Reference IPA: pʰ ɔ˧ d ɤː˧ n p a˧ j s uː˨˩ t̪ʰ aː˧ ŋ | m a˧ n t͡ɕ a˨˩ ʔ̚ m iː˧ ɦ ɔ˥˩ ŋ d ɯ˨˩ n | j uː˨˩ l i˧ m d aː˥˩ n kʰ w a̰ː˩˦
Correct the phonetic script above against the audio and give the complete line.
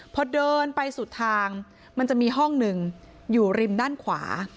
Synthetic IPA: pʰ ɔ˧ d ɤː˧ n p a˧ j s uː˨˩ t̪ʰ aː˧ ŋ | m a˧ n t͡ɕ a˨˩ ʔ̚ m iː˧ ɦ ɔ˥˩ ŋ n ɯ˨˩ ŋ | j uː˨˩ ɾ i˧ m d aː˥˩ n kʰ w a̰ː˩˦